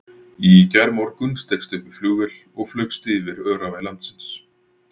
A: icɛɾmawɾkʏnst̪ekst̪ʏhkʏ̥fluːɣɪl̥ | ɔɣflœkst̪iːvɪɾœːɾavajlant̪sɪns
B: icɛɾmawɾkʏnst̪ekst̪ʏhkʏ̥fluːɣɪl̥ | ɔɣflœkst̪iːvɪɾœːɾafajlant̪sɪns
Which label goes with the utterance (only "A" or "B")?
A